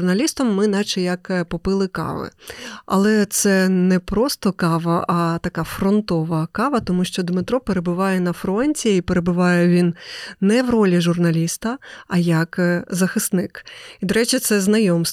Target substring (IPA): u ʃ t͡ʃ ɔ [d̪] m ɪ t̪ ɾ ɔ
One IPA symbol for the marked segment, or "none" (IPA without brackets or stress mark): d̪